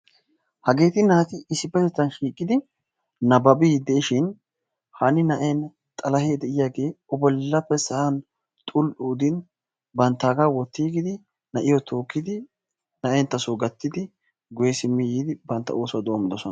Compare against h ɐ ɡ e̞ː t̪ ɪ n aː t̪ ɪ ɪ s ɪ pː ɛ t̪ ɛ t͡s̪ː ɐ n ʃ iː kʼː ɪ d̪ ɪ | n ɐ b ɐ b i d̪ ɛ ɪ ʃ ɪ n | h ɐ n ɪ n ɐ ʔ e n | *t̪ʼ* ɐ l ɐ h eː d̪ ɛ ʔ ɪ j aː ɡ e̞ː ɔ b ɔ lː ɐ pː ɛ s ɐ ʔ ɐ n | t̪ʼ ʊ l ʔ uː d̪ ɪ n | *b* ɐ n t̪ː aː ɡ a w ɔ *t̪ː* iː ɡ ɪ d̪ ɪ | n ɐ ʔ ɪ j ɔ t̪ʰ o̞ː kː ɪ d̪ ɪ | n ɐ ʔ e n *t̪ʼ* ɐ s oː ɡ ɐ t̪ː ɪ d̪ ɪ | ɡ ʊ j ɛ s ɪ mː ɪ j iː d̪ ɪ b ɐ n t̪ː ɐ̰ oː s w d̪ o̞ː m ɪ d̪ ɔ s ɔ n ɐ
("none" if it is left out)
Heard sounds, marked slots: t̪ʼ, b, t̪ː, t̪

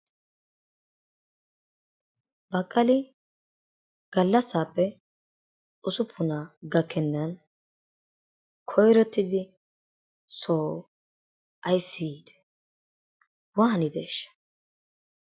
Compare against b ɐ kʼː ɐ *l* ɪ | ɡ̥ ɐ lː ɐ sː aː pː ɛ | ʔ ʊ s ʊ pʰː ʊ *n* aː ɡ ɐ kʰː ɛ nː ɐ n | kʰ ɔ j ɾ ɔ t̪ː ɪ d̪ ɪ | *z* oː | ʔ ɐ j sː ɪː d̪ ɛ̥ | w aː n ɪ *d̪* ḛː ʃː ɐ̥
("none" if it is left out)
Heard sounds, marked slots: l, n, s, d̪

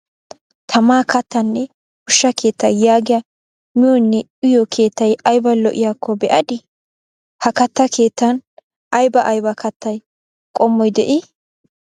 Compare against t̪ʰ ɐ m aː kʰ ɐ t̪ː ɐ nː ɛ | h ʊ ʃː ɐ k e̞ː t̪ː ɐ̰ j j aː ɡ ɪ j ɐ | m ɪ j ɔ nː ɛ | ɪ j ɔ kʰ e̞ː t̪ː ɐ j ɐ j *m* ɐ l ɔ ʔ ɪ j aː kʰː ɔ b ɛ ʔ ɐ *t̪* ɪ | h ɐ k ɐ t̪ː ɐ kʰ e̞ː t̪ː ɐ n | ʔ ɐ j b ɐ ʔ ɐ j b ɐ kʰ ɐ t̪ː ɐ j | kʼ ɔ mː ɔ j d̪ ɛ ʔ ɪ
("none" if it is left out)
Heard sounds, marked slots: b, d̪

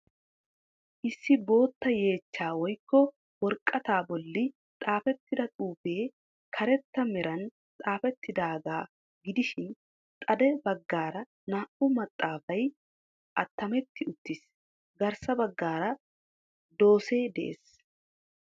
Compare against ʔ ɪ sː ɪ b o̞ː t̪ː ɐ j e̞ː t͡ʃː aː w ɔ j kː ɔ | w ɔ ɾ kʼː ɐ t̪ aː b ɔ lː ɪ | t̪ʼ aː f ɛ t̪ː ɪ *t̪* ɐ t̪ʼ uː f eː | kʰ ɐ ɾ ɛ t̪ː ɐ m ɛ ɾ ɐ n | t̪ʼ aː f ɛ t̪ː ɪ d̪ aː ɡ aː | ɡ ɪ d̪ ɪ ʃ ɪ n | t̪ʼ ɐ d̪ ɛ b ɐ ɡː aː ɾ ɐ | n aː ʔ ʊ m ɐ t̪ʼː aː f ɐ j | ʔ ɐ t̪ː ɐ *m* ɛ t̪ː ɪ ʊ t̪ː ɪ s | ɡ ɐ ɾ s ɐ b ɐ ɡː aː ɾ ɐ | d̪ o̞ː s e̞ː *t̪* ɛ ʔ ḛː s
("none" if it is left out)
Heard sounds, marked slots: d̪, m, d̪

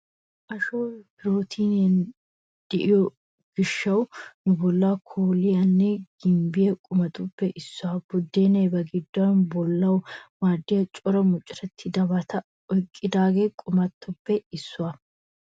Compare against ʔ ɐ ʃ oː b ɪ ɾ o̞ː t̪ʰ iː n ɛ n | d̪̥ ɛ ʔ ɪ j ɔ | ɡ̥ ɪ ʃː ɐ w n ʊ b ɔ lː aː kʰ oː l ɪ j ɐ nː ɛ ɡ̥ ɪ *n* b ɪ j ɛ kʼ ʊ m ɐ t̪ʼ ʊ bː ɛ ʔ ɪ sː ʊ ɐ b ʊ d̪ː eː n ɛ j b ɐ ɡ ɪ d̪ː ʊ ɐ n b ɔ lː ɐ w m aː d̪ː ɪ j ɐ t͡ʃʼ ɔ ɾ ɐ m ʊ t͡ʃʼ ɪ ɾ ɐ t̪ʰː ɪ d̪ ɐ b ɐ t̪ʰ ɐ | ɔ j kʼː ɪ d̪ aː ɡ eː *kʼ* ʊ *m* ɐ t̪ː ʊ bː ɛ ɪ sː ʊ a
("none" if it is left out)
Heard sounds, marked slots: m, kʼ, m

